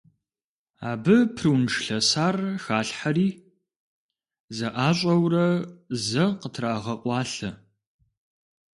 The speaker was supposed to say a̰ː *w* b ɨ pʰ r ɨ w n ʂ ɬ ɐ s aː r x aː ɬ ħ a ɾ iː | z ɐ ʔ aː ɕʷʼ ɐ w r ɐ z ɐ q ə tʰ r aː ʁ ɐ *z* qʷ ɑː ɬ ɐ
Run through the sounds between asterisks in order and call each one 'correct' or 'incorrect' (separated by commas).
incorrect, incorrect